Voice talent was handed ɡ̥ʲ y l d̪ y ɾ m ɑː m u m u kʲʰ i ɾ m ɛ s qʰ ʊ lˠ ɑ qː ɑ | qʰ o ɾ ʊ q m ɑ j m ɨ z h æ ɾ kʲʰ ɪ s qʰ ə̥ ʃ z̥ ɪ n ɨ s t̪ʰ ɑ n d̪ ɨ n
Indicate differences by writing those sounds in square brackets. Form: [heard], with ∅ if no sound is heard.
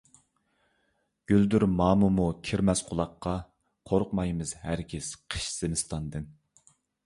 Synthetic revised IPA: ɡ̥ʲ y l d̪ y ɾ m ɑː m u m u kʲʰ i ɾ m ɛ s qʰ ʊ lˠ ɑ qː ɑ | qʰ o ɾ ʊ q m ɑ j m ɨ z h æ ɾ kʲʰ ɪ s qʰ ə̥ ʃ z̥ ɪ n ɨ s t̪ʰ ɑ n d̪ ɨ n